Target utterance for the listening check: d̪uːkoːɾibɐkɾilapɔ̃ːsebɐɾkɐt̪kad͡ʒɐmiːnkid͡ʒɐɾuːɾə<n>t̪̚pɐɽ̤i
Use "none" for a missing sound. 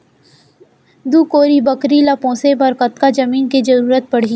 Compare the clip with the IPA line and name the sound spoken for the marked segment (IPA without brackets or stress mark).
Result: none